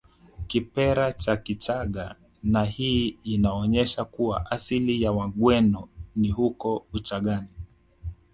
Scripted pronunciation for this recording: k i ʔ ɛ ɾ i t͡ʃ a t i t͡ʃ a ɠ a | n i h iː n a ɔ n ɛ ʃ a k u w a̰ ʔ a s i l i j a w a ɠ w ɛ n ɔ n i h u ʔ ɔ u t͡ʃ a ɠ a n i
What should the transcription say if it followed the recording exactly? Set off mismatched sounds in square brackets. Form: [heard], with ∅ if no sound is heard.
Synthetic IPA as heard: k i [p] ɛ ɾ [a] t͡ʃ a [k] i t͡ʃ a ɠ a | n [a] h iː n a ɔ [ɲ] ɛ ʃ a k u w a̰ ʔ a s i l i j a w a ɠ w ɛ n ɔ n i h u [k] ɔ u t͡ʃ a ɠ a n i